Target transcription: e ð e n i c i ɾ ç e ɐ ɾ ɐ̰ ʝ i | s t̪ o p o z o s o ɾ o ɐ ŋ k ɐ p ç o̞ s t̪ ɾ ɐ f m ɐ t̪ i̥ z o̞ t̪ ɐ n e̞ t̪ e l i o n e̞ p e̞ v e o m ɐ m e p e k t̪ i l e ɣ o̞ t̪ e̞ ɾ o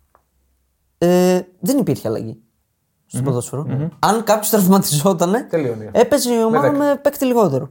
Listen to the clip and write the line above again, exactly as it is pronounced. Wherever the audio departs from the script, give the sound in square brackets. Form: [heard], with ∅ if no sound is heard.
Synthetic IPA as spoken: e ð e n i [p] i ɾ ç e ɐ [l] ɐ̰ ʝ i | s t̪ o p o [ð] o s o ɾ o ɐ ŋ k ɐ p ç o̞ s t̪ ɾ ɐ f m ɐ t̪ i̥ z o̞ t̪ ɐ n e̞ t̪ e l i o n e̞ p e̞ [z] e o m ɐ m e p e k t̪ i l [i] ɣ o̞ t̪ e̞ ɾ o